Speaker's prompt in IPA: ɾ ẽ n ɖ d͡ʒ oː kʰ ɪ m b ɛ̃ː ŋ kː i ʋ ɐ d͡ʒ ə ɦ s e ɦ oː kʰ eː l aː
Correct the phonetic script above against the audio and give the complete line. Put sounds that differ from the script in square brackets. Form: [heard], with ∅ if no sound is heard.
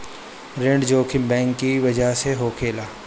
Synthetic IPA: ɾ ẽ [ɳ] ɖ d͡ʒ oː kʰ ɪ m b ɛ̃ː ŋ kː i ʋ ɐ d͡ʒ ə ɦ s e ɦ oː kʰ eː l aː